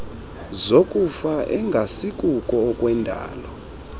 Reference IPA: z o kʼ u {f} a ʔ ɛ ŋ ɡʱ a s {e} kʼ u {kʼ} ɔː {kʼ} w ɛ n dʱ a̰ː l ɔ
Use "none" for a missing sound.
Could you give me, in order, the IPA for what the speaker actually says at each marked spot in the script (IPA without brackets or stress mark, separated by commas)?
f, i, kʼ, kʼ